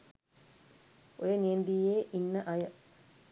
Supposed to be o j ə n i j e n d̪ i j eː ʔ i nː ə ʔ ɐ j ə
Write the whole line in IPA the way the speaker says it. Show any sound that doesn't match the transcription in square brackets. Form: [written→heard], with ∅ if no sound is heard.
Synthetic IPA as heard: o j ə n i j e n d̪ i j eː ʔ i nː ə ʔ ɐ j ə